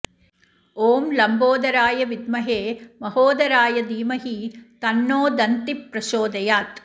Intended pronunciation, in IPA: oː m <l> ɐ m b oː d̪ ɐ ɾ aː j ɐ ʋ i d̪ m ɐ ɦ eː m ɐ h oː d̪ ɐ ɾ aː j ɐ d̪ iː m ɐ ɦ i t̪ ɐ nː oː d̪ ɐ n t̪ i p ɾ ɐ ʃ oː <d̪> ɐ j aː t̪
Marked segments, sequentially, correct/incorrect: correct, correct

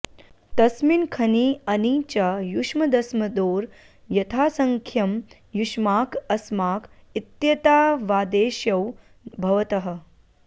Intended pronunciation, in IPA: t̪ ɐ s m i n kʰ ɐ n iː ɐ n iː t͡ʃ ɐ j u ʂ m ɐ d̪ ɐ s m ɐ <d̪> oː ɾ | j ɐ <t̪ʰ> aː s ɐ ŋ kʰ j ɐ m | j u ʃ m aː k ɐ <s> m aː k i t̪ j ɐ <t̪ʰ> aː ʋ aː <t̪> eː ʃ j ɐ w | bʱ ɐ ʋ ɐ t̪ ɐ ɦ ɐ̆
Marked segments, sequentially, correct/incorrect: correct, correct, correct, incorrect: t̪, incorrect: d̪

